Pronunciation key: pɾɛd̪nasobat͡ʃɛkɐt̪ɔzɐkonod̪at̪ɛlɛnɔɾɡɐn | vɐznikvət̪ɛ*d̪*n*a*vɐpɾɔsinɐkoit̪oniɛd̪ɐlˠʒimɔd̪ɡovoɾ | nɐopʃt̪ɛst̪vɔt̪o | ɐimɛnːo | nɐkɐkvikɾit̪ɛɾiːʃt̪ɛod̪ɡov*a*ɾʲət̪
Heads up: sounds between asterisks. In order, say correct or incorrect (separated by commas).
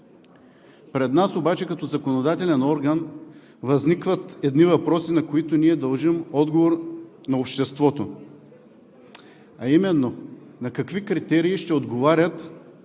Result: correct, incorrect, correct